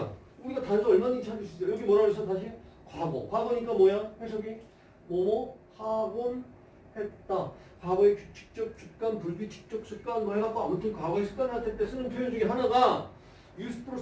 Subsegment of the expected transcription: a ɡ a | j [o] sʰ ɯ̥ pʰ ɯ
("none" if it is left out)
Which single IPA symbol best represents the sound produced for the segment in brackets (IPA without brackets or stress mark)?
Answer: u